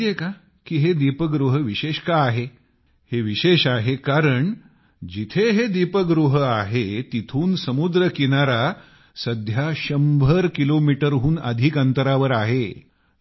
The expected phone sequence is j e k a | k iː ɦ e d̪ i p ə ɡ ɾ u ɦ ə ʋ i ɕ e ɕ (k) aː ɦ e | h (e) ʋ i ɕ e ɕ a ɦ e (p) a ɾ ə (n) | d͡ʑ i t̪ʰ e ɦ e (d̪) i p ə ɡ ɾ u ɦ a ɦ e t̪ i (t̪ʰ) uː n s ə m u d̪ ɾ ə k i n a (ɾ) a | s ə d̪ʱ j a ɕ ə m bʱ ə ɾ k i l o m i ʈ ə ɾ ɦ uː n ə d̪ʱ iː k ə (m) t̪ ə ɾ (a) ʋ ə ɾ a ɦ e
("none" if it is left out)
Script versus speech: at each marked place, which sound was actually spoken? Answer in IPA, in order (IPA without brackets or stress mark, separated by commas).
k, e, k, ɳ, d̪, t̪ʰ, ɾ, n, a